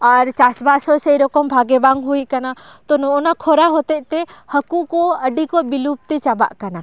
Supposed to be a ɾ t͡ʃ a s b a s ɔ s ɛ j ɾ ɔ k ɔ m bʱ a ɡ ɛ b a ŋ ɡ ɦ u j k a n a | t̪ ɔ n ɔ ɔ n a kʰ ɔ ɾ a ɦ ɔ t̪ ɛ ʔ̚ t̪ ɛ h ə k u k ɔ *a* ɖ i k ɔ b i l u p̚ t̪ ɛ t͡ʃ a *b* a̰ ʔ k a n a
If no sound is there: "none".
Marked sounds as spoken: ə, b

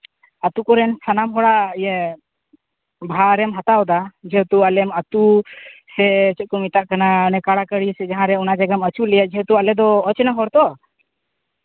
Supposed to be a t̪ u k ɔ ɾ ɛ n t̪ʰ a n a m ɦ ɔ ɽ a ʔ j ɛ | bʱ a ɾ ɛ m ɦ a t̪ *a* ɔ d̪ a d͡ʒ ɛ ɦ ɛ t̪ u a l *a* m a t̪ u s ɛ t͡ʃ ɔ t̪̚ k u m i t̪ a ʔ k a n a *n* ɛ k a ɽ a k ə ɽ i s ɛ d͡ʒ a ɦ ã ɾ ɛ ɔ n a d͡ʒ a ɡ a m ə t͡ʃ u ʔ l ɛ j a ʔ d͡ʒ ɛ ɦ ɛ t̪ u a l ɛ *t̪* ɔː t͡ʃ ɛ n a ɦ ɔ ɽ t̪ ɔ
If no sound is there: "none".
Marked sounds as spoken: a, ɛ, n, d̪

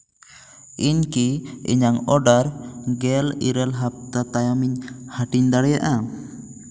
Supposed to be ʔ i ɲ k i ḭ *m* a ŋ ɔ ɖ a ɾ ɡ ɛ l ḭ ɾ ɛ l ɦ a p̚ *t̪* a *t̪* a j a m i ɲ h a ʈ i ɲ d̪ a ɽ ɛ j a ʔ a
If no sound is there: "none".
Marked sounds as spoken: ɲ, t̪, t̪

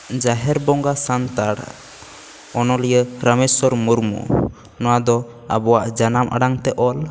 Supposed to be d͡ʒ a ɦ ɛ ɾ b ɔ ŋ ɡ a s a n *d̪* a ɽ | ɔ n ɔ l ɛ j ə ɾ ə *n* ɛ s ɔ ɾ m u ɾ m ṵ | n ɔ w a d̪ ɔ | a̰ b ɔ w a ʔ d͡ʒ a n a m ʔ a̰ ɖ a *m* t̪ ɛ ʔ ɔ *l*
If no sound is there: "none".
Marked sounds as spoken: t̪, m, ŋ, l

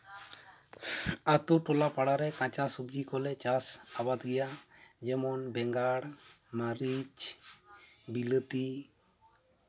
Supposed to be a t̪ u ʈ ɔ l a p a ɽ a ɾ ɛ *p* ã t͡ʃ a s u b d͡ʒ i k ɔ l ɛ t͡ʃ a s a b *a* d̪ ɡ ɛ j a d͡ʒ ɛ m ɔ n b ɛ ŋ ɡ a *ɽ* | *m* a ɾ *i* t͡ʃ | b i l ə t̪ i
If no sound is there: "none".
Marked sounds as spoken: k, a, ɽ, m, i

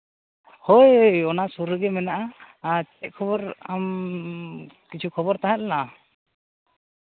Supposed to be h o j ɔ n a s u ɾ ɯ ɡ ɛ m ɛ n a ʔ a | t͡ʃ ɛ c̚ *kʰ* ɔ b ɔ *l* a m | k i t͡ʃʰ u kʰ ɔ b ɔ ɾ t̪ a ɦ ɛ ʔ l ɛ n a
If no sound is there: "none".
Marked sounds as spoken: kʰ, ɾ

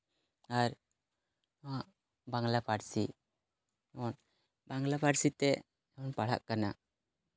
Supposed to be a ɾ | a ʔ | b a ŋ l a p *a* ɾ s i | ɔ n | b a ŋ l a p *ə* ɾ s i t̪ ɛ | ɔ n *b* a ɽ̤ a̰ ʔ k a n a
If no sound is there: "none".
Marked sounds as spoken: a, a, p

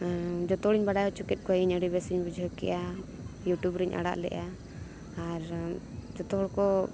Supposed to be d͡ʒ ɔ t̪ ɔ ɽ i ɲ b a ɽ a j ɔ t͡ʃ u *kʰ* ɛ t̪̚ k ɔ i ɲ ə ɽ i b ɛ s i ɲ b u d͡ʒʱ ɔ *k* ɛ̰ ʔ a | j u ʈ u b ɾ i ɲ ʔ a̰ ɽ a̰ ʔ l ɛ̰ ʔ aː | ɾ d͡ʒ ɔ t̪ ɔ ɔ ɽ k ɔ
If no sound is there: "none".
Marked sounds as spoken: k, k

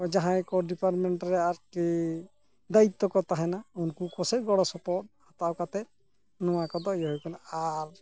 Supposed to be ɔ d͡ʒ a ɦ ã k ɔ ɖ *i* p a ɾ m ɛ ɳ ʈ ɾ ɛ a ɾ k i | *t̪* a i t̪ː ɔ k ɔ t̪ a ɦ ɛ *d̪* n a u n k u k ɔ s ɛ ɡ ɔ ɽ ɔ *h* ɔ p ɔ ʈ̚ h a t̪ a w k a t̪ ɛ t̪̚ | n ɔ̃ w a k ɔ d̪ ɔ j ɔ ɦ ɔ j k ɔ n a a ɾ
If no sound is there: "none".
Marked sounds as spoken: i, d̪, none, s

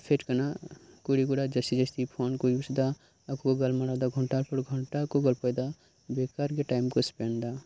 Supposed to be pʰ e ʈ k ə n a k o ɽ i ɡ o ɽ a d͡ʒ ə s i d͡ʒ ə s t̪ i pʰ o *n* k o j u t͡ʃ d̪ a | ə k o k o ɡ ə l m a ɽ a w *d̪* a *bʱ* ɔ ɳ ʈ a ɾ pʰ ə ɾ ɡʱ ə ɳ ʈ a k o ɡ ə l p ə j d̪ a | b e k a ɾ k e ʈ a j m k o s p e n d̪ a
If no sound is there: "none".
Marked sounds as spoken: n, d̪, ɡʱ

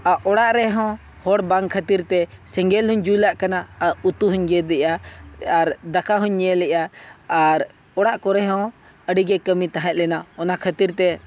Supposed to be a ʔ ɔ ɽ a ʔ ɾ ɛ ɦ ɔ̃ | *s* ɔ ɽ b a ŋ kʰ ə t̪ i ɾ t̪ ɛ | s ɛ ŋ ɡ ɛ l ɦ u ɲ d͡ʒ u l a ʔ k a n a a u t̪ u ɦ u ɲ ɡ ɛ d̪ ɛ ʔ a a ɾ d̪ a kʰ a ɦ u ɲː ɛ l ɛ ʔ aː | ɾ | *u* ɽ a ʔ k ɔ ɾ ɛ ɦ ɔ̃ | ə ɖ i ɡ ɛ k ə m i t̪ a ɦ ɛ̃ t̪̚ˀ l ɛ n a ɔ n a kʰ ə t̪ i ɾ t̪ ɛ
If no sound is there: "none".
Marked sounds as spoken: h, ɔ

